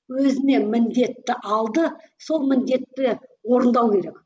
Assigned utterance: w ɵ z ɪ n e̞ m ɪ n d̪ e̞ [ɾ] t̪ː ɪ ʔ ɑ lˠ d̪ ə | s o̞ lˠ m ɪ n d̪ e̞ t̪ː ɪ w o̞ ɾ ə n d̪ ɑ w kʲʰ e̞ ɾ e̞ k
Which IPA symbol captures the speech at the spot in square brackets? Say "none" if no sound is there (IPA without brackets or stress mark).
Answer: none